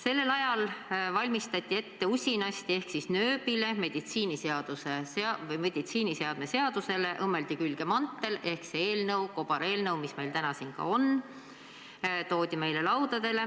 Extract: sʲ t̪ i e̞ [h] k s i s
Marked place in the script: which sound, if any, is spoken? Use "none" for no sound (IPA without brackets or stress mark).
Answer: h